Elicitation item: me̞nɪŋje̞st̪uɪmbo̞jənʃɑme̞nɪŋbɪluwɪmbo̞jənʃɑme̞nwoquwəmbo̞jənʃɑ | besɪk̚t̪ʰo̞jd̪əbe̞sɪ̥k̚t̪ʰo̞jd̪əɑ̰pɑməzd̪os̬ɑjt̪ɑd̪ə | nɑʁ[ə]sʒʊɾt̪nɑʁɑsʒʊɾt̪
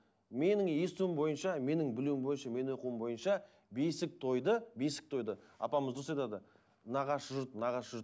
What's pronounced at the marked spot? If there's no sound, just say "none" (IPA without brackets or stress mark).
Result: ɑ